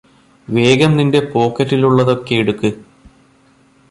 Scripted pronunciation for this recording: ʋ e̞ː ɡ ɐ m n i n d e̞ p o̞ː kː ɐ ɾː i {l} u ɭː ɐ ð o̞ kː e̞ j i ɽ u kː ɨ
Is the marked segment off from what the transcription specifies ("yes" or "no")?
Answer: no